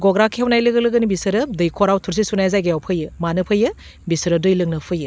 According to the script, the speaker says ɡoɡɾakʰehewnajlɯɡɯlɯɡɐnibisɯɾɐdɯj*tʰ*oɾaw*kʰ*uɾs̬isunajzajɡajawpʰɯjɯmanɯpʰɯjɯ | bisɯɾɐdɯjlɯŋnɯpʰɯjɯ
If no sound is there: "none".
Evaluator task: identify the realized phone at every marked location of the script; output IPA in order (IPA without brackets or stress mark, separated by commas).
kʰ, tʰ